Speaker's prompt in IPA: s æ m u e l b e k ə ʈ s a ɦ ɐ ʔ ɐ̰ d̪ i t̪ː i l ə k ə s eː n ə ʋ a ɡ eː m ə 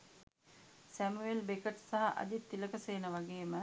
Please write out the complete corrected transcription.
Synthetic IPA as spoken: s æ m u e l b e k ə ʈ s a ɦ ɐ ʔ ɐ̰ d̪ i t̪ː i l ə k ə s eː n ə ʋ a ɡ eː m ə